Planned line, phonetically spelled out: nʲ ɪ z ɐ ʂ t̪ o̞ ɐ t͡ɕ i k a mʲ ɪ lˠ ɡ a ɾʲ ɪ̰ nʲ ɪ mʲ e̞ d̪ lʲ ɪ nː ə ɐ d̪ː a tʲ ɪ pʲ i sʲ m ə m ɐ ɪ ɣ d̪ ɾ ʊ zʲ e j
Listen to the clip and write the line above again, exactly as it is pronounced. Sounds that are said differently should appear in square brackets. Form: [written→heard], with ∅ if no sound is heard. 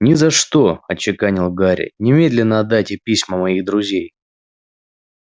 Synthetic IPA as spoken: nʲ ɪ z ɐ ʂ t̪ o̞ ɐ t͡ɕ [i→ɪ] k a [mʲ→nʲ] ɪ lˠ ɡ a ɾʲ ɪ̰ nʲ ɪ mʲ e̞ d̪ lʲ ɪ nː ə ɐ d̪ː a tʲ ɪ pʲ i sʲ m ə m ɐ [ɪ→i] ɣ d̪ ɾ ʊ zʲ e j